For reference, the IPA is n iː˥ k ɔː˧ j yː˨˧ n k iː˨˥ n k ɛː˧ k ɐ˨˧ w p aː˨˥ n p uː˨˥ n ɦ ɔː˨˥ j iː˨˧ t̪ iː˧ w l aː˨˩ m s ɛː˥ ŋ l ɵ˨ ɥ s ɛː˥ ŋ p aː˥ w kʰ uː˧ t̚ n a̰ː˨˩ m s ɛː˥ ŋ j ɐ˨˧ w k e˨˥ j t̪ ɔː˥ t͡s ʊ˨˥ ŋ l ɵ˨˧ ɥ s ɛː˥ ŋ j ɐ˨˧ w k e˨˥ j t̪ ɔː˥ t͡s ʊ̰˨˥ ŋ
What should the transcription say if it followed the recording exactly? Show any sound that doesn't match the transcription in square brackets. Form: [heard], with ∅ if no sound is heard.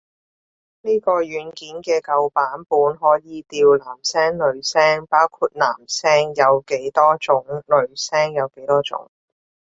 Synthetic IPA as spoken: n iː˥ k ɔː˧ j yː˨˧ n k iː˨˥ n k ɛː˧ k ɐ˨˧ w p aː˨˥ n p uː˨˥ n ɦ ɔː˨˥ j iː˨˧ t̪ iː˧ w l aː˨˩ m s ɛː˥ ŋ l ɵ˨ ɥ s ɛː˥ ŋ p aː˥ w kʰ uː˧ t̚ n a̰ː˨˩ m s ɛː˥ ŋ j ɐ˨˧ w k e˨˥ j t̪ ɔː˥ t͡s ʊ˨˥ ŋ l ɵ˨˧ ɥ s ɛː˥ ŋ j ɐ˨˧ w k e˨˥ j t̪ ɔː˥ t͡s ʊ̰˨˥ ŋ